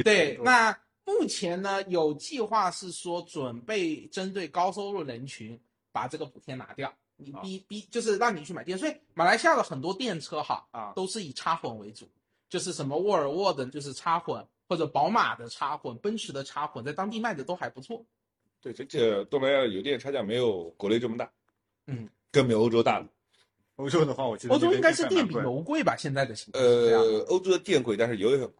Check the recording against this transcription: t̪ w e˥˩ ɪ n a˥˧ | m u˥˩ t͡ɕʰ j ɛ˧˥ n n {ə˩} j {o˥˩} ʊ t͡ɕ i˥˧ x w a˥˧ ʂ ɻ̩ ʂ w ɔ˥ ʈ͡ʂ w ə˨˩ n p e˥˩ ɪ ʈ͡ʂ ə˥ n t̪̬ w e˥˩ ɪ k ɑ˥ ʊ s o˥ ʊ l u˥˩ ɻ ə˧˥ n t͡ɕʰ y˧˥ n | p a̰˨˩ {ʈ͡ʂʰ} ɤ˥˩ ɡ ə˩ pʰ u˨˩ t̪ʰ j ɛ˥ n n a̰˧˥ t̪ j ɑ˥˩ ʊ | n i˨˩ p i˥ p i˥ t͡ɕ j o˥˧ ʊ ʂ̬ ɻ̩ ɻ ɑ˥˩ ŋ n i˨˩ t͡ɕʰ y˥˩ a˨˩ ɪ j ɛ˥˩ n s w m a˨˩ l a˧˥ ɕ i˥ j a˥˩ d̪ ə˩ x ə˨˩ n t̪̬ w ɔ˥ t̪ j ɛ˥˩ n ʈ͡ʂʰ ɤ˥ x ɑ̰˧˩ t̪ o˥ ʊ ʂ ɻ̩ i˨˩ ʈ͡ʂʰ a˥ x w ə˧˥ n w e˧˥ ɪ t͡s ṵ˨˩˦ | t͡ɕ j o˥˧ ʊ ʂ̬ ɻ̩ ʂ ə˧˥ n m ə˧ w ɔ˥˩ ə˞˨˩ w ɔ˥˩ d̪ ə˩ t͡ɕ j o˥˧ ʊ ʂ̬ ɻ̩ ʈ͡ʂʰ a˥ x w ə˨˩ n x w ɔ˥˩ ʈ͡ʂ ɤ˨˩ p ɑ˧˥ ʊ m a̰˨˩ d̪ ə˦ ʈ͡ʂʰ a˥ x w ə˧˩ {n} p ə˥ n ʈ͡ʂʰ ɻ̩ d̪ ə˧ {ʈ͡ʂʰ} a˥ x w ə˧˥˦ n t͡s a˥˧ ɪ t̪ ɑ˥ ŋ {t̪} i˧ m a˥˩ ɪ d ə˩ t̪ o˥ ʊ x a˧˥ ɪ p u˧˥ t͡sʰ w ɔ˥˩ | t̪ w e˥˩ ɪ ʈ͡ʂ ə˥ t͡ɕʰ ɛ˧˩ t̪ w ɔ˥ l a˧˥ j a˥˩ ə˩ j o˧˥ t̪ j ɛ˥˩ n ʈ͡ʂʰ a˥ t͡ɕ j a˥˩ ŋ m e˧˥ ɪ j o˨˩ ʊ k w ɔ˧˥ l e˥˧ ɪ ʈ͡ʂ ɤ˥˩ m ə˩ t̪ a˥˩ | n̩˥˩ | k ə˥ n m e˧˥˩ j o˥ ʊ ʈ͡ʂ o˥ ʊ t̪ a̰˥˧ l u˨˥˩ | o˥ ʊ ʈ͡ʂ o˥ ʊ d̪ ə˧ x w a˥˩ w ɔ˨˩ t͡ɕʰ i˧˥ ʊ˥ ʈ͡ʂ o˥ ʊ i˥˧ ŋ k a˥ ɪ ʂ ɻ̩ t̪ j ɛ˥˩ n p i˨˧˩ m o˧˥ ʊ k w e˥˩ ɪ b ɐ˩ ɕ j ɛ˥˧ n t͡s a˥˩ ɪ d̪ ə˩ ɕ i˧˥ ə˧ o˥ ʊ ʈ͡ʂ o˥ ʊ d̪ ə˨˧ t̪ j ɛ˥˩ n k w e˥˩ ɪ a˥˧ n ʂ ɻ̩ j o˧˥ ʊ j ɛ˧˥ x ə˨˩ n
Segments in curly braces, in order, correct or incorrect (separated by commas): incorrect, incorrect, incorrect, correct, correct, correct